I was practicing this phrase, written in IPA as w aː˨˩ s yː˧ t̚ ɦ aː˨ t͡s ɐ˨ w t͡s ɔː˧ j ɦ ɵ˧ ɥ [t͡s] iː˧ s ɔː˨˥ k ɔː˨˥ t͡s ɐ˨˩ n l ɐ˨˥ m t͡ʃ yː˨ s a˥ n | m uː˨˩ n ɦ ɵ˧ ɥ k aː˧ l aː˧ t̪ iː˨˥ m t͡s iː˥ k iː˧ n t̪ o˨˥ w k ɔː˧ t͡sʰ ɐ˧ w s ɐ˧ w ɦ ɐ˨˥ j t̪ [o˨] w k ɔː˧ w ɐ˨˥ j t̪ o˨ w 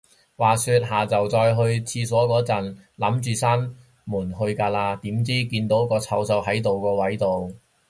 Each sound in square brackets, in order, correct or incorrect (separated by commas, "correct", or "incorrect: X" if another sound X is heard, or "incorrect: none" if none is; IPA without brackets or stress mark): incorrect: t͡sʰ, correct